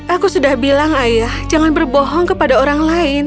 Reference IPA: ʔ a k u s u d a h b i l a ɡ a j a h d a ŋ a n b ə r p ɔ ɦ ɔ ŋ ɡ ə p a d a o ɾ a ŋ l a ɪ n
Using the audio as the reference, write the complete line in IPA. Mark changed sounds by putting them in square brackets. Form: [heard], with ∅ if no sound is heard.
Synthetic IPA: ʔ a k u s u d a h b i l a [ŋ] a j a h [d͡ʒ] a ŋ a n b ə r [b] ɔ ɦ ɔ ŋ [k] ə p a d a o ɾ a ŋ l a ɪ n